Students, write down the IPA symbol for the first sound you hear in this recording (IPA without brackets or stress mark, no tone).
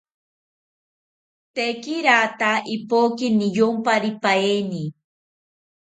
t̪